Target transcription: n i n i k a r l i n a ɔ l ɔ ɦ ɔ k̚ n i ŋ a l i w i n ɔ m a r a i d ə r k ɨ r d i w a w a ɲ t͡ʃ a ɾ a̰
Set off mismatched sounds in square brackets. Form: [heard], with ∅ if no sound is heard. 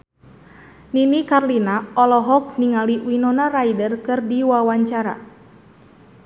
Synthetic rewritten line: n i n i k a r l i n a ɔ l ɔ ɦ ɔ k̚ n i ŋ a l i w i n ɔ [n] a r a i d ə r k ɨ r d i w a w a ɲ t͡ʃ a ɾ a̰